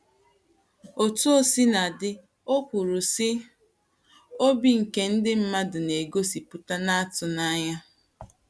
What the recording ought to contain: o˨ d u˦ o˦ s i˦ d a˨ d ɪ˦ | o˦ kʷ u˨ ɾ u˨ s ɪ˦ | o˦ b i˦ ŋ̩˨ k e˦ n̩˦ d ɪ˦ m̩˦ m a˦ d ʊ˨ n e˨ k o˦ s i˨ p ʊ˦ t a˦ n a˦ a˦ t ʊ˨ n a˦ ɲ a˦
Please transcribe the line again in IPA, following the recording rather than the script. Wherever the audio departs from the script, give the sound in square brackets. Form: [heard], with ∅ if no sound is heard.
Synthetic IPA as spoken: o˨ [t] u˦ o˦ s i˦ [n] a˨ d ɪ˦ | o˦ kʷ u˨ ɾ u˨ s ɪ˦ | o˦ b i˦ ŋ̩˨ k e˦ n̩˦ d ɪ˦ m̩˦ m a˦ d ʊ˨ n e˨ [ɡ] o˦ s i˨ p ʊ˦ t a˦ n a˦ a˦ t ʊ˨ n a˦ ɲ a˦